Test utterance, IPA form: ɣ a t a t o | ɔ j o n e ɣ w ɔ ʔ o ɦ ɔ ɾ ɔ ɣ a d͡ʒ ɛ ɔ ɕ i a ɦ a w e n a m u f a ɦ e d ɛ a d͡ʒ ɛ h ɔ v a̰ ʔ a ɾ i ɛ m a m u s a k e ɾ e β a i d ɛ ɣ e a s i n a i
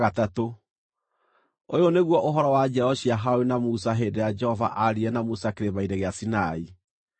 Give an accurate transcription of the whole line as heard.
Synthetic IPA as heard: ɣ a t a t o | o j o n e ɣ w ɔ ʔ o ɦ ɔ ɾ ɔ w a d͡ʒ ɛ ɔ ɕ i a ɦ a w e n a m u s a ɦ e d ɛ a d͡ʒ ɛ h ɔ v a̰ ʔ a ɾ i ɛ n a m u s a k e ɾ e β a i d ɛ ɣ e a s i n a i